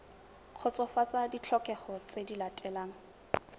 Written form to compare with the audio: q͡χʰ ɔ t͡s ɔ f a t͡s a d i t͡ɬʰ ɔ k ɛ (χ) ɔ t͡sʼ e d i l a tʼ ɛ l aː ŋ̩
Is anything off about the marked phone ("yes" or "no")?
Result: no